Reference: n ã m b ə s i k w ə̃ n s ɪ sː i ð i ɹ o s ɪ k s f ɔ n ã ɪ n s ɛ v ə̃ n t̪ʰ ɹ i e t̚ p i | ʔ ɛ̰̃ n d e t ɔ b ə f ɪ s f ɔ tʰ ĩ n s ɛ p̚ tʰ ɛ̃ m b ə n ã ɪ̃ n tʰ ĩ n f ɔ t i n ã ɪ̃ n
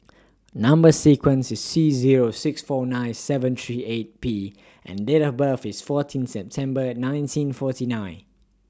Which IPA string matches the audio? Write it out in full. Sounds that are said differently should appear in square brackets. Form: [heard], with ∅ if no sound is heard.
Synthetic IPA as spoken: n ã m b ə s i k w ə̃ n s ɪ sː i [z] i ɹ o s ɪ k s f ɔ n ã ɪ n s ɛ v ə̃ n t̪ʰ ɹ i e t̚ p i | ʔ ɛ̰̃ n d e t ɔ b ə f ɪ s f ɔ tʰ ĩ n s ɛ p̚ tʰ ɛ̃ m b ə n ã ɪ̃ n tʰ ĩ n f ɔ t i n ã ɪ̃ n